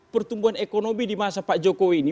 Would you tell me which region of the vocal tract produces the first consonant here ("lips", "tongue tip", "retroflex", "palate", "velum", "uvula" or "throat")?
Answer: lips